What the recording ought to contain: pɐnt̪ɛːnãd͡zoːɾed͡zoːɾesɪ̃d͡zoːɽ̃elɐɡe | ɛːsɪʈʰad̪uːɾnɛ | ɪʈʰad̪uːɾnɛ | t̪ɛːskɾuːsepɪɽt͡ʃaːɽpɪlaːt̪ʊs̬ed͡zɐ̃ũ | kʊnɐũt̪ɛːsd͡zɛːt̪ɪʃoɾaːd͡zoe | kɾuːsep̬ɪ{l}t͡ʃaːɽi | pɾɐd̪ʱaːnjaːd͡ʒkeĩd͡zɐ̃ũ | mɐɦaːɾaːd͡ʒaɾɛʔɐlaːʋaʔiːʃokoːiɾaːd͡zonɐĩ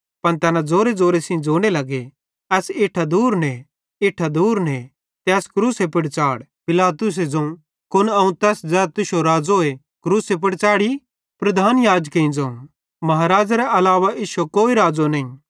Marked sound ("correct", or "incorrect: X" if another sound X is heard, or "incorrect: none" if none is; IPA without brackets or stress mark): incorrect: ɽ